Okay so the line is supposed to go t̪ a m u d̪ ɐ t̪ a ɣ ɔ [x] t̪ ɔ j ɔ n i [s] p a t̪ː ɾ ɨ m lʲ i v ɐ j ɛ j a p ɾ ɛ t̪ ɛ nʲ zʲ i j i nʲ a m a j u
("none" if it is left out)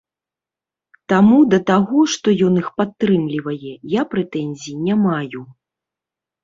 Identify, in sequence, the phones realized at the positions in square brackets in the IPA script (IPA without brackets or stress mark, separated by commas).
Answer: ʂ, x